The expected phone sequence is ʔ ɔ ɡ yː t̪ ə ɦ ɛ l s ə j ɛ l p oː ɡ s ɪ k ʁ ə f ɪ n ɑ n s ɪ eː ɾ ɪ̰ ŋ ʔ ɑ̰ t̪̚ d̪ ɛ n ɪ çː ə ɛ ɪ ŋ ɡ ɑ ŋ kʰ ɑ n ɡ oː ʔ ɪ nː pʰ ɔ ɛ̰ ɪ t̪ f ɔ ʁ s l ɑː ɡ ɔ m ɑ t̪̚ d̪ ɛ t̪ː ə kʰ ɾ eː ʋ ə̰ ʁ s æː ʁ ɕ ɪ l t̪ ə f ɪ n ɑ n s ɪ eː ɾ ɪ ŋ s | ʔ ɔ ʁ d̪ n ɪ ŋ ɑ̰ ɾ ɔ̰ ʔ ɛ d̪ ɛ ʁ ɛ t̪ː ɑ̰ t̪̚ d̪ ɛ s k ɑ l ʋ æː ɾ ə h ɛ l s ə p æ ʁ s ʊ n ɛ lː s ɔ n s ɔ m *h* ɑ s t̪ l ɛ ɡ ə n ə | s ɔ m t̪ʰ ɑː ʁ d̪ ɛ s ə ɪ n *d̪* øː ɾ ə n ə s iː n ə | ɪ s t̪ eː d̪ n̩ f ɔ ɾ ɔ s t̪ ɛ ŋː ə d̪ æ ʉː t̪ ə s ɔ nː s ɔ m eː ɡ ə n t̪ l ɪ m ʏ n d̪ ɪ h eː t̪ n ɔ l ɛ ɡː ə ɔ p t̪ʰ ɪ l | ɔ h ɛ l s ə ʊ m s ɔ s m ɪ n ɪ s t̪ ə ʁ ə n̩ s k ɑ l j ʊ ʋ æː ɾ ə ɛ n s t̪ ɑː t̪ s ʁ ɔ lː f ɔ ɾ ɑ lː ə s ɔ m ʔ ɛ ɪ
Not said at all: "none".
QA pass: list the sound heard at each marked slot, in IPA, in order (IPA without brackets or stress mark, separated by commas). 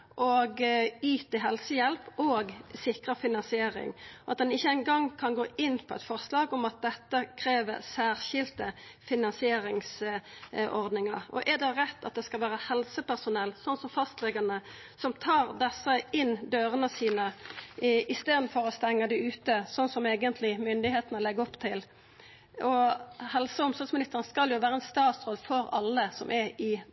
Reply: f, d̪